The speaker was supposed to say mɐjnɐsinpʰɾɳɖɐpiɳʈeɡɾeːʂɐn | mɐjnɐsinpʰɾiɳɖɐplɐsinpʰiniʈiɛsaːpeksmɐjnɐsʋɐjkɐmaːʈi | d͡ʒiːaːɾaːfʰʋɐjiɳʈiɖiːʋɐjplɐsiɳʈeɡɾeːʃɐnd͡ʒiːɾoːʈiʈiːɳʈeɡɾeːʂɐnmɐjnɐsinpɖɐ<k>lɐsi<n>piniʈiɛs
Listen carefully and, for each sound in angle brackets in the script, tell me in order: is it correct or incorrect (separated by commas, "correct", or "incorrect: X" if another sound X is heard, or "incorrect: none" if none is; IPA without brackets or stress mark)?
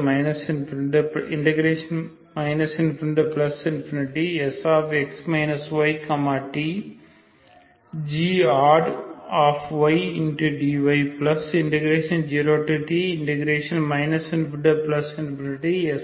incorrect: p, correct